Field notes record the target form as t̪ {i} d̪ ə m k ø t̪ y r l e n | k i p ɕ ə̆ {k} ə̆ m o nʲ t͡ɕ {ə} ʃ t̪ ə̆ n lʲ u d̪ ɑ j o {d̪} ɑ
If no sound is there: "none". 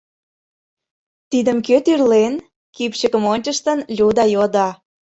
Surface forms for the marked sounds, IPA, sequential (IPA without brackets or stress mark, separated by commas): i, k, ə, d̪